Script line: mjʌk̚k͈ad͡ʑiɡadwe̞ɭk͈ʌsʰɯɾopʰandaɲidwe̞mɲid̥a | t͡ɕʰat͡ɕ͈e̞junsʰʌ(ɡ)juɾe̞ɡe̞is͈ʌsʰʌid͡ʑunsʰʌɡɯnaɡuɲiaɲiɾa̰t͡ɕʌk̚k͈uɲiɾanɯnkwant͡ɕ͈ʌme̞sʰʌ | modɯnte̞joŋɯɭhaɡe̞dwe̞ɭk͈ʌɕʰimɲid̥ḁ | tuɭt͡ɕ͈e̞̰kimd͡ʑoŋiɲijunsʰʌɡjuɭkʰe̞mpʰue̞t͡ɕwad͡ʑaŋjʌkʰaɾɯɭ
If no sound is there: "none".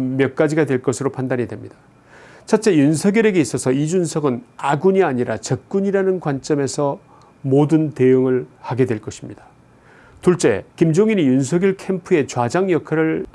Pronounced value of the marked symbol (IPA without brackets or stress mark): ɡ